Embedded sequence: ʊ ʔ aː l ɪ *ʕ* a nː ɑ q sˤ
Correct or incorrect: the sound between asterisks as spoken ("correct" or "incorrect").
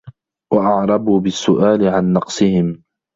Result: correct